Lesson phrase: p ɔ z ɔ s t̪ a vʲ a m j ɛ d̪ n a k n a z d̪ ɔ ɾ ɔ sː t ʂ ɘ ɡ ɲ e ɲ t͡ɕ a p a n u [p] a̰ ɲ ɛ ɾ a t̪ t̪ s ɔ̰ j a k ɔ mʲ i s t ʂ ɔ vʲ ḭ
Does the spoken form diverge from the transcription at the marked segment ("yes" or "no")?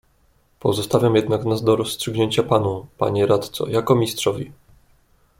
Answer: no